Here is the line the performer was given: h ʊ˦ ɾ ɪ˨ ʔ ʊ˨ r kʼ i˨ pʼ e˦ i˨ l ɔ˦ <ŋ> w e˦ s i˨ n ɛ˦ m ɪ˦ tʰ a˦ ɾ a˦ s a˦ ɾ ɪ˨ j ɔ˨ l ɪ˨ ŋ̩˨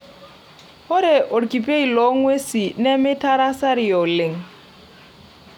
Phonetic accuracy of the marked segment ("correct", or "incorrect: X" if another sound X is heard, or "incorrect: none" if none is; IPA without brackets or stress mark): correct